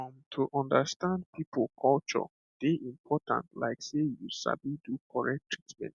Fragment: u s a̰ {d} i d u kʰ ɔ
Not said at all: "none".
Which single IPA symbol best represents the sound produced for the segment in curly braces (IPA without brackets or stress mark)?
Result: b